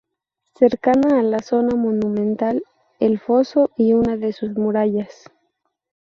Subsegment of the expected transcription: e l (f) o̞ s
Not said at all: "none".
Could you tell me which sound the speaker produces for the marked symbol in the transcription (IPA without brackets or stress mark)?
f